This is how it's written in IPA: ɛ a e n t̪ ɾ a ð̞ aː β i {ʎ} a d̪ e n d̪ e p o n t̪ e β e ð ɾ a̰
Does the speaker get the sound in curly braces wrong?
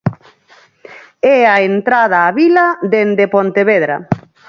yes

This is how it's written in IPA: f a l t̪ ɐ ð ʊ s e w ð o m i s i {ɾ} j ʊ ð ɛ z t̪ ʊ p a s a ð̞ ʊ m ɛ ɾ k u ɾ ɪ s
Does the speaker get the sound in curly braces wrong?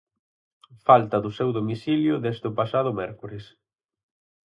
yes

